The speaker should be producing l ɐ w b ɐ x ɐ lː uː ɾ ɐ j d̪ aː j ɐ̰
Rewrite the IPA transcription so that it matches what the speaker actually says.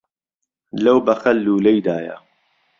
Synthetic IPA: l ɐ w b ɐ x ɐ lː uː l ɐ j d̪ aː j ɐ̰